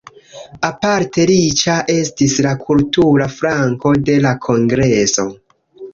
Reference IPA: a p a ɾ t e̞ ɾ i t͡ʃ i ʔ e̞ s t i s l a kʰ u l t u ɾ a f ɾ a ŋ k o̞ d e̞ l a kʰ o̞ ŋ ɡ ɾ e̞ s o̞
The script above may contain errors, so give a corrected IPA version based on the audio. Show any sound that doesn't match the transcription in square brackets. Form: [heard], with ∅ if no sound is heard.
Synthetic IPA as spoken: a p a ɾ t e̞ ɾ i t͡ʃ [a] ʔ e̞ s t i s l a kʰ u l t u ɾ a f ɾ a ŋ k o̞ d e̞ l a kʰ o̞ ŋ ɡ ɾ e̞ s o̞